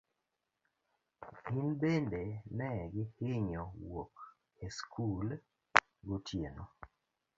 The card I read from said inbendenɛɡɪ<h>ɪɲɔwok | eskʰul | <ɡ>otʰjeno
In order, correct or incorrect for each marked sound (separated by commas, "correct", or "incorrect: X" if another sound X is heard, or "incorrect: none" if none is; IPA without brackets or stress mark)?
correct, correct